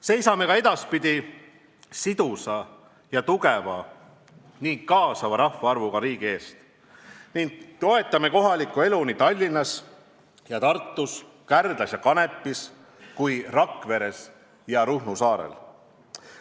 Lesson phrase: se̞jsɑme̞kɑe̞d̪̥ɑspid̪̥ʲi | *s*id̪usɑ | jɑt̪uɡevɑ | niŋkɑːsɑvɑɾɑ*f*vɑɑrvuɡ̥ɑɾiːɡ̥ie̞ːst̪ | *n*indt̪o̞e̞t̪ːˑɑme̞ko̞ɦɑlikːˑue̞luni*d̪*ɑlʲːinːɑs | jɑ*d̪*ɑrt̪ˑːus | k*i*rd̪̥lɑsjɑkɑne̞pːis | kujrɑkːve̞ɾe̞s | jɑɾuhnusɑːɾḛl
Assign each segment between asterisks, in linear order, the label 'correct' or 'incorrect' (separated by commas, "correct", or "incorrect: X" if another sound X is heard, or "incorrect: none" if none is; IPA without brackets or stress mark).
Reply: correct, incorrect: h, correct, incorrect: t̪, incorrect: t̪, incorrect: æ